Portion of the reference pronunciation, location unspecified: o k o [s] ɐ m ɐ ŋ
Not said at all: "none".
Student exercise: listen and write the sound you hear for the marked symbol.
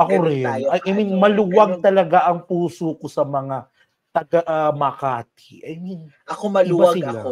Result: s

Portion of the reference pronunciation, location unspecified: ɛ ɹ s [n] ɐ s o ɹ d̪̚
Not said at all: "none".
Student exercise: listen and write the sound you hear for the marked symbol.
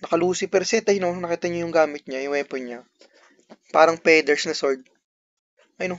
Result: n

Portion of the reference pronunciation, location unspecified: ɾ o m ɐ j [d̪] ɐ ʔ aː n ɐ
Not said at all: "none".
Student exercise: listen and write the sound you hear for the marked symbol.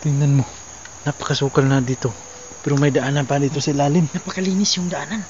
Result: d̪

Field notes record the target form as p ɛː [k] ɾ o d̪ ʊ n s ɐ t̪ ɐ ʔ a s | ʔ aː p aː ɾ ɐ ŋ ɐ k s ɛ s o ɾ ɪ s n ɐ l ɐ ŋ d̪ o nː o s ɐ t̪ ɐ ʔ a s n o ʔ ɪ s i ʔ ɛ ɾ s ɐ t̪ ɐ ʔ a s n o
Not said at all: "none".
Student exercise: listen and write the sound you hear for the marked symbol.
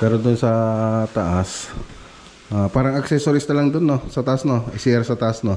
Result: none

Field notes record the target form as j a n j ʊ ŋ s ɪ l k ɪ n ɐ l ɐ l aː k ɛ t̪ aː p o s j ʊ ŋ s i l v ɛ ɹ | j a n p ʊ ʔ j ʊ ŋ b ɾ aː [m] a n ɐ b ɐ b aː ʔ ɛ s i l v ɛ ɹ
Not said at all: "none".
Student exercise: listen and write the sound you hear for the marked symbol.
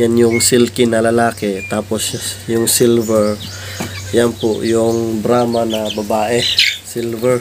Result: m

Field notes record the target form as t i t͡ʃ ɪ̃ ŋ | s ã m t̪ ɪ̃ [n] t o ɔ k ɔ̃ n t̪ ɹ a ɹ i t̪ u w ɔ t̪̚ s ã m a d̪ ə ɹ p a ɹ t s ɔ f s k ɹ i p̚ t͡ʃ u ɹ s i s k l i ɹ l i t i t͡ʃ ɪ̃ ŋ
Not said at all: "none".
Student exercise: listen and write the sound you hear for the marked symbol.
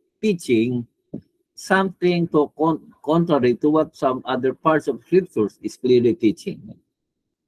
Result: ŋ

